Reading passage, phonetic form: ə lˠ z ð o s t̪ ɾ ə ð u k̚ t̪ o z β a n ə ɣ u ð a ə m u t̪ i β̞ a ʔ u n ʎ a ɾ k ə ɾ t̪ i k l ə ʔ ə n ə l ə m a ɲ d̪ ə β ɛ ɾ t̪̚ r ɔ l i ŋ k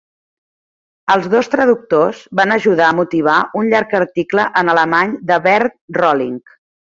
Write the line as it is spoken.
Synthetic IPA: ə lˠ z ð o s t̪ ɾ ə ð u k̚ t̪ o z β a n ə ʒ u ð a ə m u t̪ i β̞ a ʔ u n ʎ a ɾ k ə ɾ t̪ i k l ə ʔ ə n ə l ə m a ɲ d̪ ə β ɛ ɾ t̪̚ r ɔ l i ŋ k

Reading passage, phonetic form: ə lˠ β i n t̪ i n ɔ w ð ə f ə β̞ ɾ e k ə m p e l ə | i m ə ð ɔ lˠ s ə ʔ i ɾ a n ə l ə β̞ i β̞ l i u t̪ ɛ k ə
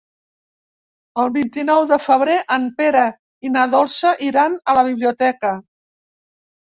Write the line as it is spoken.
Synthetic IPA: ə lˠ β i n t̪ i n ɔ w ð ə f ə β̞ ɾ e ʔ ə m p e ɾ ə | i n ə ð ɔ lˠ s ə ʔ i ɾ a n ə l ə β̞ i β̞ l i u t̪ ɛ k ə

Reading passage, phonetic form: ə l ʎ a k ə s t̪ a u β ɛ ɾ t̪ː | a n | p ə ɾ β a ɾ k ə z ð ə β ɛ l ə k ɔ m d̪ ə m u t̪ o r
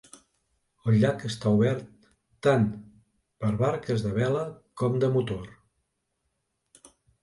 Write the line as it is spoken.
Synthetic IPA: ə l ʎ a k ə s t̪ a u β ɛ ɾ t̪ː | a n | p ə ɾ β a ɾ k ə z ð ə β ɛ l ə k ɔ m d̪ ə m u t̪ o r

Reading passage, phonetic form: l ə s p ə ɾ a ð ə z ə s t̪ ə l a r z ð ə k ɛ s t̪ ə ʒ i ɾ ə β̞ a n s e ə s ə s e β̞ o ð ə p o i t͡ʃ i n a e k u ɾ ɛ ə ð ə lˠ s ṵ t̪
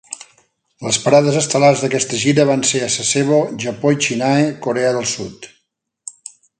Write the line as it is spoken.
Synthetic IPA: l ə s p ə ɾ a ð ə z ə s t̪ ə l a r z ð ə k ɛ s t̪ ə ʒ i ɾ ə β̞ a n s e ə s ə s e β̞ o ʒ ə p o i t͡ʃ i n a e k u ɾ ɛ ə ð ə lˠ s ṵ t̪

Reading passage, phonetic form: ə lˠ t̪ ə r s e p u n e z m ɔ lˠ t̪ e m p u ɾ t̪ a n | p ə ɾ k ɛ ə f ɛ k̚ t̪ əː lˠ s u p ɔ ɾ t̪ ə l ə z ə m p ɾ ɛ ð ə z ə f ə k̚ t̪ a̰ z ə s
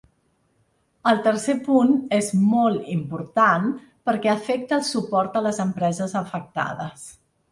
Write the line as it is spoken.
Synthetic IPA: ə lˠ t̪ ə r s e p u n e z m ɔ lˠ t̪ i m p u ɾ t̪ a n | p ə ɾ k ɛ ə f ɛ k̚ t̪ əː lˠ s u p ɔ ɾ t̪ ə l ə z ə m p ɾ ɛ z ə z ə f ə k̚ t̪ a̰ ð ə s

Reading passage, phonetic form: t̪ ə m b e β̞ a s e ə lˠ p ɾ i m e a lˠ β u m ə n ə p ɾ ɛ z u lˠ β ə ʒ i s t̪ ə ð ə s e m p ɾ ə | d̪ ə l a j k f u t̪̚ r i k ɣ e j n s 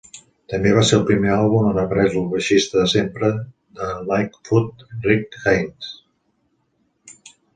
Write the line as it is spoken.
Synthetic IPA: t̪ ə m b e β̞ a s e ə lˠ p ɾ i m e a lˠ β u m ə n ə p ɾ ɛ z u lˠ β ə ʃ i s t̪ ə ð ə s e m p ɾ ə | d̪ ə l a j k f u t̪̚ r i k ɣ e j n s

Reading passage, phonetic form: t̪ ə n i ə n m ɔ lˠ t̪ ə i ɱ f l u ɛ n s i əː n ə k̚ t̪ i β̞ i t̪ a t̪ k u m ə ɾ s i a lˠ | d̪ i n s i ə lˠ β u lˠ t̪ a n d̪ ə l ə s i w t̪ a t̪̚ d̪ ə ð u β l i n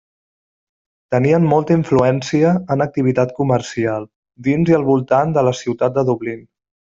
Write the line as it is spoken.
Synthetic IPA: t̪ ə n i ə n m ɔ lˠ t̪ ə i ɱ f l u ɛ n s i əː n ə k̚ t̪ i β̞ i t̪ a t̪ k u m ə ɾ s i a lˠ | d̪ i n z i ə lˠ β u lˠ t̪ a n d̪ ə l ə s i w t̪ a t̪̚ d̪ ə ð u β l i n

